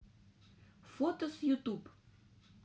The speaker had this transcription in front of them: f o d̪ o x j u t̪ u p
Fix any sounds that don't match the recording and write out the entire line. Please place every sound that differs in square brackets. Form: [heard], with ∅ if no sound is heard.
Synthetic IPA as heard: f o [t̪] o [s] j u t̪ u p